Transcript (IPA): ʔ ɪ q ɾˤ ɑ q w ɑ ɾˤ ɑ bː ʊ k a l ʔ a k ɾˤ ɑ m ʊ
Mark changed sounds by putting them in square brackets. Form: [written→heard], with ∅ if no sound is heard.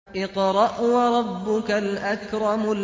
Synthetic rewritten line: ʔ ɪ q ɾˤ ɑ [q→ʔ] w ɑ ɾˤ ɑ bː ʊ k a l ʔ a k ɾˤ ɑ m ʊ